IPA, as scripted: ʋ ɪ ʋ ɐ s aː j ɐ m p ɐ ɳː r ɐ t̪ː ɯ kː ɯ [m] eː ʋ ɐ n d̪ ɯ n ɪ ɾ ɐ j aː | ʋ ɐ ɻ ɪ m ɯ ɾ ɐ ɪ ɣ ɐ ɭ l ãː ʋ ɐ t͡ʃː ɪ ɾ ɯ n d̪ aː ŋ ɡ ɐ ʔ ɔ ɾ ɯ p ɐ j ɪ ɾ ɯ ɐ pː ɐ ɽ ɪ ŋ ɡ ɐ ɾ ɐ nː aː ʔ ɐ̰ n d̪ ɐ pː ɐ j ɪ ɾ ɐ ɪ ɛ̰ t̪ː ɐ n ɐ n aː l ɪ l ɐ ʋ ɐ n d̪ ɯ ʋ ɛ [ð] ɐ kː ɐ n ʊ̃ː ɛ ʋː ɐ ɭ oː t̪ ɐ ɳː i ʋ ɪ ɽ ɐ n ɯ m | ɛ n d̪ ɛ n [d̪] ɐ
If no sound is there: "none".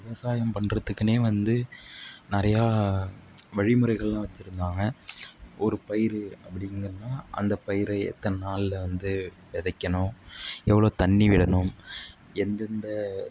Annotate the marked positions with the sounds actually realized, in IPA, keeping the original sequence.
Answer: n, ð, d̪

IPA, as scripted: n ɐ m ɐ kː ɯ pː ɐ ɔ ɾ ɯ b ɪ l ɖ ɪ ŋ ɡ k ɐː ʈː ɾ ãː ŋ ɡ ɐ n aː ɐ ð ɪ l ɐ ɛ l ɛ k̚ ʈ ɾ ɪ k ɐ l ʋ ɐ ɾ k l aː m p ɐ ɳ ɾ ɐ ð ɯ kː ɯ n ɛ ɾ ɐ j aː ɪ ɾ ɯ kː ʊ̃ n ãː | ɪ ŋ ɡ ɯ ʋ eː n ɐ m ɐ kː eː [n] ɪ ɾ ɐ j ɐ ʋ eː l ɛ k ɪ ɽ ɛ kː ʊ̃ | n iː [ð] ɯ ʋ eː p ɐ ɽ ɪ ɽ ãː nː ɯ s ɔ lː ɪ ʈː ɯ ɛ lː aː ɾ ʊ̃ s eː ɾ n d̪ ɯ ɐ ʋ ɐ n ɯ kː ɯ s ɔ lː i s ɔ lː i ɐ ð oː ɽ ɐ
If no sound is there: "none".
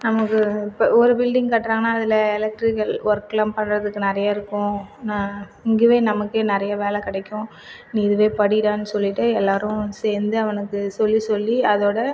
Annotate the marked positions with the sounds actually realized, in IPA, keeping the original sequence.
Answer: n, ð

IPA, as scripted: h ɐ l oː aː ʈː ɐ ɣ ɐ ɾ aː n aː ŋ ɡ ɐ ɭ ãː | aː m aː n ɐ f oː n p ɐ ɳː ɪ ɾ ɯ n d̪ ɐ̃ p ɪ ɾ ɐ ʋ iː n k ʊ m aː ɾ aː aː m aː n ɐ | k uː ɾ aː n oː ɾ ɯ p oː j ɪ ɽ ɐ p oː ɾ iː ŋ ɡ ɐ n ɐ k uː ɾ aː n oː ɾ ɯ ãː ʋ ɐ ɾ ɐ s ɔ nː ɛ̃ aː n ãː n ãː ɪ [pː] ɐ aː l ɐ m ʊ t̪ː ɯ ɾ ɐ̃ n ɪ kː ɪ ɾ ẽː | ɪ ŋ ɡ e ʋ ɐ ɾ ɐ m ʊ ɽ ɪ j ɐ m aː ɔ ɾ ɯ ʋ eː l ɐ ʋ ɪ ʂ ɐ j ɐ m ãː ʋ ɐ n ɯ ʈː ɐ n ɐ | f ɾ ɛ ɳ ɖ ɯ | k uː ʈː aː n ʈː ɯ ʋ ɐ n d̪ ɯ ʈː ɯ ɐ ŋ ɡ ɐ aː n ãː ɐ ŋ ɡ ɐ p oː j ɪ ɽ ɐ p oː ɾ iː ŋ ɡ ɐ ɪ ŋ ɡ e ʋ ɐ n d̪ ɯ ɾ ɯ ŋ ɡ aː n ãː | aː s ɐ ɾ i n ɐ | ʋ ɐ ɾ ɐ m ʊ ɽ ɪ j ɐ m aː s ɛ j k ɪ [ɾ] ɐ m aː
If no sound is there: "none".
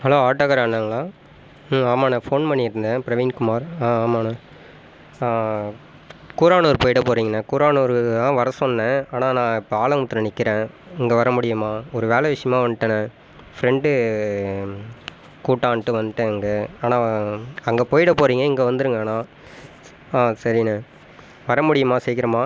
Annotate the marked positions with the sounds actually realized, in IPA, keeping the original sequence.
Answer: pː, ɾ

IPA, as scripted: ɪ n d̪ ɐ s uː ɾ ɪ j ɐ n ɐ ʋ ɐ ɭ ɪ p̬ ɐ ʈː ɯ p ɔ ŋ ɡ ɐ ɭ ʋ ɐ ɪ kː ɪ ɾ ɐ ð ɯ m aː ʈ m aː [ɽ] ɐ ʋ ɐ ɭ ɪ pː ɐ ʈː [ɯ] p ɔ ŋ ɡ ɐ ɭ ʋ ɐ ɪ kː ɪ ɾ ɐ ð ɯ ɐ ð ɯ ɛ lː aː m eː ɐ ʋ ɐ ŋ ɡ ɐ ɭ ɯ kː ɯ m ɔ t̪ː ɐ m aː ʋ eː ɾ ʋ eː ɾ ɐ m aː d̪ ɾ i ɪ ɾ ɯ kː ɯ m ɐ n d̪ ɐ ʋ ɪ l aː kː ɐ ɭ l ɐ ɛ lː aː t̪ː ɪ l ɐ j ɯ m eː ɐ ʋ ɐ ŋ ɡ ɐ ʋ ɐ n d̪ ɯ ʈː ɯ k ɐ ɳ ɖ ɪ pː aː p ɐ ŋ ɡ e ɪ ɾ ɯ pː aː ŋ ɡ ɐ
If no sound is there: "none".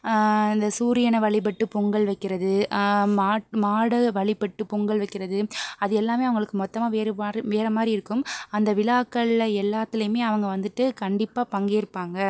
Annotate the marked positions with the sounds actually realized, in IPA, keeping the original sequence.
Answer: ɽ, ɯ

